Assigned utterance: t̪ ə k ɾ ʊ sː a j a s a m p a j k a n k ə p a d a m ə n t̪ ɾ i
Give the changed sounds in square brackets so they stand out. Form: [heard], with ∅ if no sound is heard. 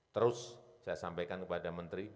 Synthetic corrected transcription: t̪ ə [∅] ɾ ʊ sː a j a s a m p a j k a n k ə p a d a m ə n t̪ ɾ i